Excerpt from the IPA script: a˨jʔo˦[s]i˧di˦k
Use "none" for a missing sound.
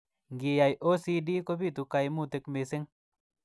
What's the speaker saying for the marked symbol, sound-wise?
s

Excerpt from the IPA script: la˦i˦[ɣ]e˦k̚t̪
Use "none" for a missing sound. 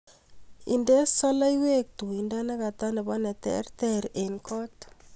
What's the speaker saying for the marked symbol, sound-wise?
w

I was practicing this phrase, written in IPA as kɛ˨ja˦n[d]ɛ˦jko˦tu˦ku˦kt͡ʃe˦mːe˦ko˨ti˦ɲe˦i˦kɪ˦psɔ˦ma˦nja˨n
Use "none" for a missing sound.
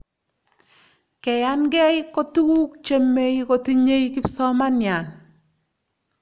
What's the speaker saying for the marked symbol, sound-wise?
ɡ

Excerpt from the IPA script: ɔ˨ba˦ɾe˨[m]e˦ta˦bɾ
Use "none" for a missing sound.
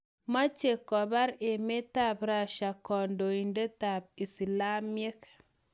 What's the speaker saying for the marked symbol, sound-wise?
m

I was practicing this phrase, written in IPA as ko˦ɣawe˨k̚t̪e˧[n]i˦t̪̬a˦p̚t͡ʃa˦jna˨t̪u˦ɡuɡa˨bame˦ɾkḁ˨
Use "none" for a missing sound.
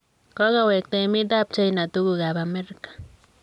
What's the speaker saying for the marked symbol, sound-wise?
m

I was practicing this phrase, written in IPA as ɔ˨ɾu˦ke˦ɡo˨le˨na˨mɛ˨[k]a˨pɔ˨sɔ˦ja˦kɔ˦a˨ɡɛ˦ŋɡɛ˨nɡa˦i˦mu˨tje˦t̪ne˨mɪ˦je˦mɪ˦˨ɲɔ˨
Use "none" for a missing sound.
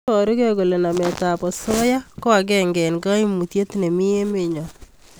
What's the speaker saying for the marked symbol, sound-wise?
t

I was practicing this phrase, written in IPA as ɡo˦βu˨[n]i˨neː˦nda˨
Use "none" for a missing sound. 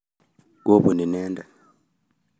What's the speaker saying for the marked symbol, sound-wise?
n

